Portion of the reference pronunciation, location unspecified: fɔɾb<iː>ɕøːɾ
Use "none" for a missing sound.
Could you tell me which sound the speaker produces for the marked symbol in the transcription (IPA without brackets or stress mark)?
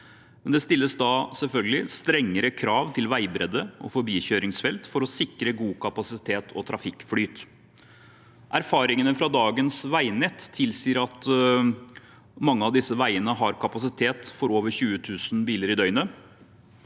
iː